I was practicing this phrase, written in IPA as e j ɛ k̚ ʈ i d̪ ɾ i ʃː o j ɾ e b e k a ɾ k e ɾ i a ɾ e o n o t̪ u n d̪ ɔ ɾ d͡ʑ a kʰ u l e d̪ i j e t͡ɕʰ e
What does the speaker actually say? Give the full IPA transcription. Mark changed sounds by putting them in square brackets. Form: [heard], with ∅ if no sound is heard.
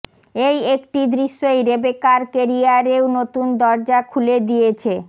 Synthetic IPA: e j [e] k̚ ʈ i d̪ ɾ i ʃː o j ɾ e b e k a ɾ k e ɾ i a ɾ e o n o t̪ u n d̪ ɔ ɾ d͡ʑ a kʰ u l e d̪ i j e t͡ɕʰ e